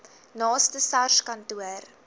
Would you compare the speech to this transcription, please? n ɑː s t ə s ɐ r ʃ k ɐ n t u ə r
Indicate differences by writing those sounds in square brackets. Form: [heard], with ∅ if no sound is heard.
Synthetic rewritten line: n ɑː s t ə s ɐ r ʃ k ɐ n t u ə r